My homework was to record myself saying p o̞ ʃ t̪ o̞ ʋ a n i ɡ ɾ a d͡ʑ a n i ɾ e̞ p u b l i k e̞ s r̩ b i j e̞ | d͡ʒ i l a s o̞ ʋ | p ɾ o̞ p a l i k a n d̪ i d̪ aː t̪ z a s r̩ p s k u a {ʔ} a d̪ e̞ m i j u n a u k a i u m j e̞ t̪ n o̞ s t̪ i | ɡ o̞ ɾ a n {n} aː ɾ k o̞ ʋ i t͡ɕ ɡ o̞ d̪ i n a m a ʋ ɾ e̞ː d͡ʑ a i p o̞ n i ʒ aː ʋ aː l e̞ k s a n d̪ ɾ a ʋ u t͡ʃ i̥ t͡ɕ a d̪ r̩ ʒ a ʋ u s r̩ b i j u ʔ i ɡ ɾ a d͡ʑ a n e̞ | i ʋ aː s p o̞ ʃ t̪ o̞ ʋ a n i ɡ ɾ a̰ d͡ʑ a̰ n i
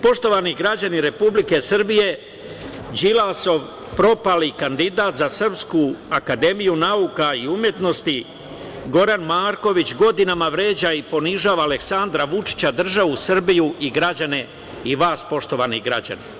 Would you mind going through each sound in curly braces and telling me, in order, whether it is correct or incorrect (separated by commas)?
incorrect, incorrect